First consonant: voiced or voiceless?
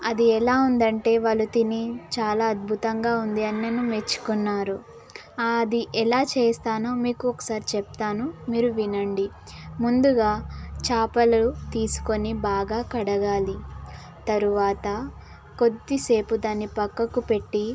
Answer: voiced